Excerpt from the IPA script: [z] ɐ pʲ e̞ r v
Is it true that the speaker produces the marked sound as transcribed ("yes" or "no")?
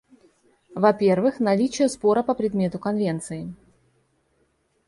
no